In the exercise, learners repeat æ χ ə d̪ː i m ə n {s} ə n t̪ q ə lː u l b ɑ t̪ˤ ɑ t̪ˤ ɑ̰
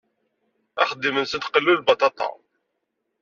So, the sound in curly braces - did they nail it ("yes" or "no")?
yes